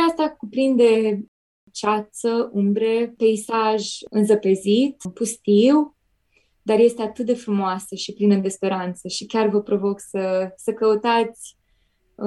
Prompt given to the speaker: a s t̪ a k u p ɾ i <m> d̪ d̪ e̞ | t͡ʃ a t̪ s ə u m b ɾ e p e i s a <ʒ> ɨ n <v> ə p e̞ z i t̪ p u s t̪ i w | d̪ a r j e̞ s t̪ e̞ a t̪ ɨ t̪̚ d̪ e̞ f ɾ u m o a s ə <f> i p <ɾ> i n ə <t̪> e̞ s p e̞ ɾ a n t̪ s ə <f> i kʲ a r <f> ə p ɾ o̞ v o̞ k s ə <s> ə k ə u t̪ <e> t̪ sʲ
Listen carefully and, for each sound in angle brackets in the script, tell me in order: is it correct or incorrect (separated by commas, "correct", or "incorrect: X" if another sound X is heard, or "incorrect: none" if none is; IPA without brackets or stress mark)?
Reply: incorrect: n, correct, incorrect: z, incorrect: ʃ, incorrect: l, incorrect: d̪, incorrect: ʃ, incorrect: v, correct, incorrect: a